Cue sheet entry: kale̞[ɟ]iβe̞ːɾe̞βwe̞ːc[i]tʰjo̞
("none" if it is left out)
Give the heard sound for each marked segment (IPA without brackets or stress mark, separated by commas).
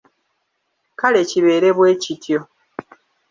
c, i